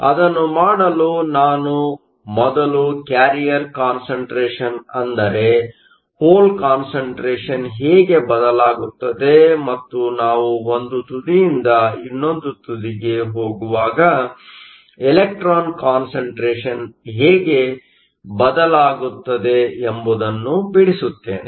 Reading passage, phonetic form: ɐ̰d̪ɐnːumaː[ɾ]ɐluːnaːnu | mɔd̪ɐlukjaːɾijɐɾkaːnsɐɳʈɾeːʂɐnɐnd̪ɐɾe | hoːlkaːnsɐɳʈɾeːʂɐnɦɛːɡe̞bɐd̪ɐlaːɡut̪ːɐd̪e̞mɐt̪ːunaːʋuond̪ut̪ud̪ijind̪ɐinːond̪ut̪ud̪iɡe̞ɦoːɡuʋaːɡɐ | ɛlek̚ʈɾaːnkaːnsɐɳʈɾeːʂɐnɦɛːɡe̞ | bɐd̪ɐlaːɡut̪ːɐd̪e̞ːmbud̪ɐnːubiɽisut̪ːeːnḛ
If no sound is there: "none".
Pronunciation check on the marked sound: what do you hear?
ɽ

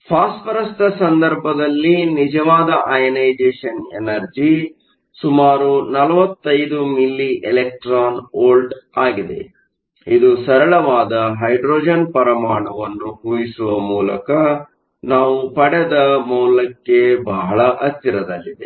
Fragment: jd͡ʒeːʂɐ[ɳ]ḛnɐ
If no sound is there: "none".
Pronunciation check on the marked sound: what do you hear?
n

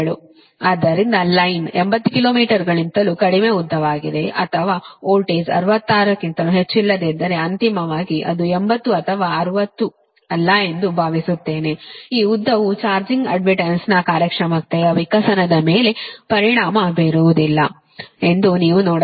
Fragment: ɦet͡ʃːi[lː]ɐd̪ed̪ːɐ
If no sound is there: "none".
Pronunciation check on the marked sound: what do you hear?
lː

